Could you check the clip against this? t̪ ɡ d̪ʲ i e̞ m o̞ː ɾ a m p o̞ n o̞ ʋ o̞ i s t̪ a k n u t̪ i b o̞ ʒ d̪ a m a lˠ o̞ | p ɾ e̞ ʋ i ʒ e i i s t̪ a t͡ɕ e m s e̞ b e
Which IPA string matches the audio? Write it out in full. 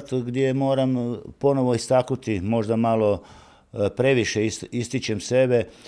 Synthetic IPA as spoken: t̪ ɡ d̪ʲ j e̞ m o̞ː ɾ a m p o̞ n o̞ ʋ o̞ i s t̪ a k n u t̪ i m o̞ ʒ d̪ a m a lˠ o̞ | p ɾ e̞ ʋ i ʃ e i i s t̪ i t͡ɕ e m s e̞ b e